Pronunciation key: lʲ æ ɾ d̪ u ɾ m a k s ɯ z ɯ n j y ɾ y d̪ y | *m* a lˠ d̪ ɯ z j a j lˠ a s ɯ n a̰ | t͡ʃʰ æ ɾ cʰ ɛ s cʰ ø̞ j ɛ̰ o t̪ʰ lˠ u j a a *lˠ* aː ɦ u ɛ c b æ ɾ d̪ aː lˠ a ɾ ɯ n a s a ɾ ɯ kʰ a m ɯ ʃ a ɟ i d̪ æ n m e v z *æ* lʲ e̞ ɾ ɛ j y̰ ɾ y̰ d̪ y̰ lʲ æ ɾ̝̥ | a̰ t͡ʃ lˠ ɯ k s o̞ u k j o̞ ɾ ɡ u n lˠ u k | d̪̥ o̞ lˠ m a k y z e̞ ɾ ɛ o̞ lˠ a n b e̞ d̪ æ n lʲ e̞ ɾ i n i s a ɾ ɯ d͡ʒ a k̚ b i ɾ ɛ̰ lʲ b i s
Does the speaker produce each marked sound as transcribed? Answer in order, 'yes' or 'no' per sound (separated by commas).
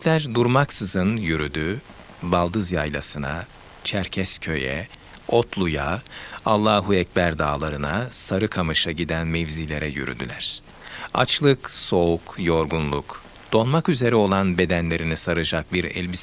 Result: no, no, no